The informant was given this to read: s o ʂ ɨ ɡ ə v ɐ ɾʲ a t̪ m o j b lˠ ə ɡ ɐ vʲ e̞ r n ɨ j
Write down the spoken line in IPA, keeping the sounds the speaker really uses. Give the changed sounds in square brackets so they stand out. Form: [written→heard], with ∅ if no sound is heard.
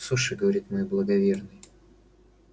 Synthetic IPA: s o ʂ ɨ ɡ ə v ɐ ɾʲ [a→i] t̪ m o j b lˠ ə ɡ ɐ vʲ e̞ r n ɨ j